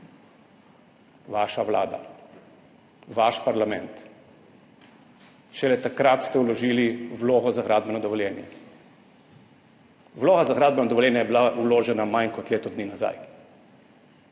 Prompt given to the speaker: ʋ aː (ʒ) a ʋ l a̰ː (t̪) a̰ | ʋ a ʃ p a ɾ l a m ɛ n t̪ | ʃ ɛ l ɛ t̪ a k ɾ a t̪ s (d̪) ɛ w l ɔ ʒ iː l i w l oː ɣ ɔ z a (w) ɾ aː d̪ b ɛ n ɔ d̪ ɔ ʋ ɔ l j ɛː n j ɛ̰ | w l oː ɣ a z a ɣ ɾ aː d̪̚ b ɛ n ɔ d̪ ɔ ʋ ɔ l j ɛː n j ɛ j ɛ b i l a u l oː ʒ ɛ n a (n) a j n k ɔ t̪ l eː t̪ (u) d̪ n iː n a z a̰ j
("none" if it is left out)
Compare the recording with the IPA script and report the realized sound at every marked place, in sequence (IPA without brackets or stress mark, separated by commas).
ʃ, d̪, t̪, ɣ, m, ɔ